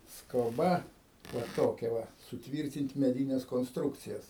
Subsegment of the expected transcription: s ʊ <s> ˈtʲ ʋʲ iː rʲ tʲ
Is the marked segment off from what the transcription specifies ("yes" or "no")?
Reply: yes